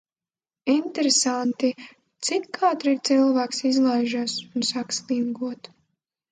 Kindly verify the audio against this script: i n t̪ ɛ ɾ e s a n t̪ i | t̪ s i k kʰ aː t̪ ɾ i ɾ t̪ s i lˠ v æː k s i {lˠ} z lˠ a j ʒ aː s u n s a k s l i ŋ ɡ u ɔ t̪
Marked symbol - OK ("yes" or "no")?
no